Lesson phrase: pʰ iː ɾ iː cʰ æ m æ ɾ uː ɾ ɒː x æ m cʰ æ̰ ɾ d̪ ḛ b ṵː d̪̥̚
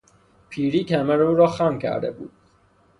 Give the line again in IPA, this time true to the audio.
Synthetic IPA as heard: pʰ iː ɾ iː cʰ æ m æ ɾ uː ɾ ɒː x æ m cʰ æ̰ ɾ d̪ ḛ b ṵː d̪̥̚

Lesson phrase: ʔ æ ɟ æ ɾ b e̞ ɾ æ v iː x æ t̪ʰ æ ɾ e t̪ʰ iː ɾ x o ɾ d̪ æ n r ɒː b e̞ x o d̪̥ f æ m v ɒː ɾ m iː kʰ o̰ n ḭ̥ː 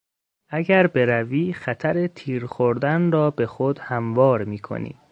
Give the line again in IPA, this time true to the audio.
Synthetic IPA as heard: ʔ æ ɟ æ ɾ b e̞ ɾ æ v iː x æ t̪ʰ æ ɾ e t̪ʰ iː ɾ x o ɾ d̪ æ n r ɒː b e̞ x o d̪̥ h æ m v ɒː ɾ m iː kʰ o̰ n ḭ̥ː

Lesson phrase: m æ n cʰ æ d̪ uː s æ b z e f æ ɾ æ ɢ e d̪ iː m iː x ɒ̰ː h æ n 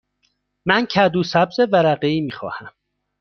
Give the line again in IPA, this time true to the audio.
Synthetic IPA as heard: m æ n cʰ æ d̪ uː s æ b z e v æ ɾ æ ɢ e iː m iː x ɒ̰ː h æ m

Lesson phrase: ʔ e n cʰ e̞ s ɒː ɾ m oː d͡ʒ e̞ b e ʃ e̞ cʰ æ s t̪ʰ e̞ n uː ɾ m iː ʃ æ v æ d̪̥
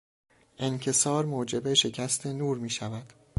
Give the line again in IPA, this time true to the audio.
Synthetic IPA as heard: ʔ e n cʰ e̞ s ɒː ɾ m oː d͡ʒ e̞ b e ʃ e̞ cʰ æ s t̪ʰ e̞ n uː ɾ m iː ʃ æ v æ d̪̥

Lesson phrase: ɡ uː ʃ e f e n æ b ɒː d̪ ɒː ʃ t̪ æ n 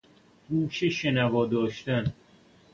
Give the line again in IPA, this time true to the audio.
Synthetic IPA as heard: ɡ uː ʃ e ʃ e n æ v ɒː d̪ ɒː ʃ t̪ æ n

